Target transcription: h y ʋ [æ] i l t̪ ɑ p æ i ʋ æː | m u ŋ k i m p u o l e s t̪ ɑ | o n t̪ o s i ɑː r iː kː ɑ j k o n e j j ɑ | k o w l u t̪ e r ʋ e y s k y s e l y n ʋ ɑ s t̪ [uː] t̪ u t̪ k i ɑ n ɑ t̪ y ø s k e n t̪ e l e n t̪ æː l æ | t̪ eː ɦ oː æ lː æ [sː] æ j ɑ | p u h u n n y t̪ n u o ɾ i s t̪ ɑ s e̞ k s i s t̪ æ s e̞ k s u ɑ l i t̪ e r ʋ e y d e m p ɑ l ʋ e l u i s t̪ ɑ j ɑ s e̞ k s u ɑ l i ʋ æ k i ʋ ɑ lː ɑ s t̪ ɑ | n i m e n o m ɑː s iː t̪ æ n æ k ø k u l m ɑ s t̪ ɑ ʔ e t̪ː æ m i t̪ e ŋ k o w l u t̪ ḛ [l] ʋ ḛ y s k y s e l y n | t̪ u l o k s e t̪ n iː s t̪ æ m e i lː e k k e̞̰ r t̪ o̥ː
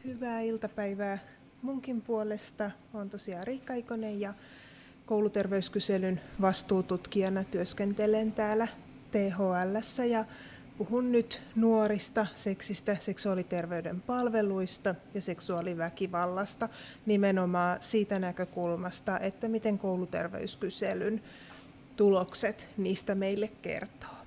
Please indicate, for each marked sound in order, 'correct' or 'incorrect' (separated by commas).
incorrect, correct, correct, incorrect